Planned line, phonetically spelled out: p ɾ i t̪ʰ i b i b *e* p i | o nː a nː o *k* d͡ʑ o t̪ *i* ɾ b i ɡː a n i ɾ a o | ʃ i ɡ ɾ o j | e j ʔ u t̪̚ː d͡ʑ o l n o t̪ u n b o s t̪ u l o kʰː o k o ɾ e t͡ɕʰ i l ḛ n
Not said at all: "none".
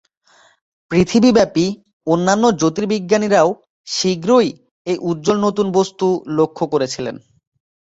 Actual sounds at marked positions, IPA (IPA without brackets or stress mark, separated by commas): ɛ, none, i